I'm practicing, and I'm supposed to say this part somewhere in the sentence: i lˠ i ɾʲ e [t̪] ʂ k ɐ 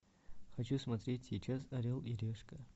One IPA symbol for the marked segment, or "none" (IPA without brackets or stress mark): none